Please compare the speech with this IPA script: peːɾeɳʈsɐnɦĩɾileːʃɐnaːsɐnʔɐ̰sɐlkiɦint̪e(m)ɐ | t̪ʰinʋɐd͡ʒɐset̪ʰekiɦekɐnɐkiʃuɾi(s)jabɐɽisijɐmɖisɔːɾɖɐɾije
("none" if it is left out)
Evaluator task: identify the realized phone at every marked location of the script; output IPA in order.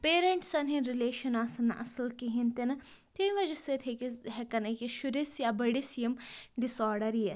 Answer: n, s

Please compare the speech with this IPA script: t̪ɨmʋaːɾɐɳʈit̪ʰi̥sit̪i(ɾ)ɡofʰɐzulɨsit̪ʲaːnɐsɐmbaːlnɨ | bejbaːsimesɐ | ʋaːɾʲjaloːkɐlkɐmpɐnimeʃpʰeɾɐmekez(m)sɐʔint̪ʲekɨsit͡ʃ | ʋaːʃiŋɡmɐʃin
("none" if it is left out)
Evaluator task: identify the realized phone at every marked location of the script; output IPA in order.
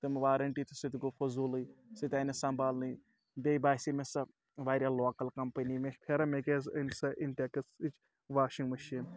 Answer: none, n

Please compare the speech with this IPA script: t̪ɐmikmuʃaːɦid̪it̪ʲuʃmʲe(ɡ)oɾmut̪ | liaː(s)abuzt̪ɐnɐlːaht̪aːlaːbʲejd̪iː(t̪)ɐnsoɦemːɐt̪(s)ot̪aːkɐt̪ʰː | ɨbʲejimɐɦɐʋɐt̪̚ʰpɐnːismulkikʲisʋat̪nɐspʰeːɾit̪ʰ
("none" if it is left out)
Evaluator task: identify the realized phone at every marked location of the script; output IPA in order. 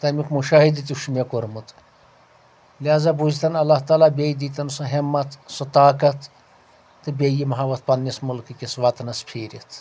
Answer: k, z, t̪, s

